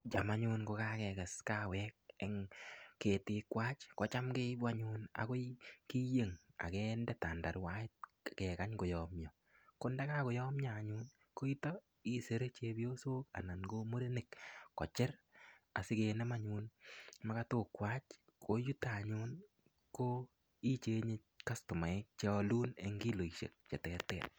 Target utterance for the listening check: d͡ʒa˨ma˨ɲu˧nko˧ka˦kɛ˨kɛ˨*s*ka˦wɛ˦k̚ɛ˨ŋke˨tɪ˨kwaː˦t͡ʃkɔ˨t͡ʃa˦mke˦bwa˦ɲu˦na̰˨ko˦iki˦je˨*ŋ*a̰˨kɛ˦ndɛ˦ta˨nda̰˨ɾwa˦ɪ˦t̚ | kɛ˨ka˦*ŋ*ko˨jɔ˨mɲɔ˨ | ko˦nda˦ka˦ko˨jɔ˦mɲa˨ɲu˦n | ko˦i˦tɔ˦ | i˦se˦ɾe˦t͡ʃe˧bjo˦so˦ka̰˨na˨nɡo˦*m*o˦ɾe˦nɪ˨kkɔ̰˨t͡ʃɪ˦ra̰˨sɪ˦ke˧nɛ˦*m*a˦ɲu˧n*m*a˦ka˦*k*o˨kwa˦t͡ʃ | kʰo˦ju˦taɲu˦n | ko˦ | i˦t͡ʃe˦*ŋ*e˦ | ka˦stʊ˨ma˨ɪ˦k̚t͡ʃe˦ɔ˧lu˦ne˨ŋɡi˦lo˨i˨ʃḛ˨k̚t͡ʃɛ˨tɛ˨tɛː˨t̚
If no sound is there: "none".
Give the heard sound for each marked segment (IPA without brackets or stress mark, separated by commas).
s, ŋ, ɲ, m, m, m, t, ɲ